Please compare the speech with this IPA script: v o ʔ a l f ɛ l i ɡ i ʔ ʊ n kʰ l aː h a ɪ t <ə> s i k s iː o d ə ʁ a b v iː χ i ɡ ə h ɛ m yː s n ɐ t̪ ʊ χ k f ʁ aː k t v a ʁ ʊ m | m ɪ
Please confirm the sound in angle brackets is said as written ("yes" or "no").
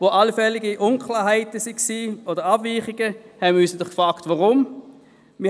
yes